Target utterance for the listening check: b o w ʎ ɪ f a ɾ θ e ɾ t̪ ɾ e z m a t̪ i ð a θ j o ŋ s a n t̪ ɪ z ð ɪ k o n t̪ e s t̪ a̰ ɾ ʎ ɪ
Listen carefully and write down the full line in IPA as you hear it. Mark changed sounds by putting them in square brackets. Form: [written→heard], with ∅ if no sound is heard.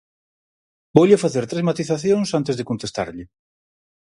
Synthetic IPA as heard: b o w ʎ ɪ f a [ɾ→∅] θ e ɾ t̪ ɾ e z m a t̪ i [ð→θ] a θ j o ŋ s a n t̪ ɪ z ð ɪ k o n t̪ e s t̪ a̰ ɾ ʎ ɪ